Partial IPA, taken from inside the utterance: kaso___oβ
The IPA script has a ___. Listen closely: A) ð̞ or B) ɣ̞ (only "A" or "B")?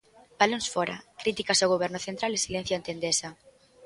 B